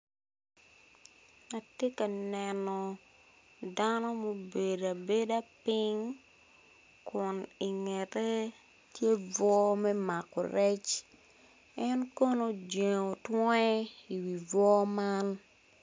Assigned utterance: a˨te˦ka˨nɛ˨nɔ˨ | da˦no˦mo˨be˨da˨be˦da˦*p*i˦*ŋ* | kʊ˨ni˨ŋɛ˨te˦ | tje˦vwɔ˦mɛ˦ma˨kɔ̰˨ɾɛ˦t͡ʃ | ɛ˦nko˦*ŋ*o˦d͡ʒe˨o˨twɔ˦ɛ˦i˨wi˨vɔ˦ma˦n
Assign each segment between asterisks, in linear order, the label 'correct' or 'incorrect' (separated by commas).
correct, correct, incorrect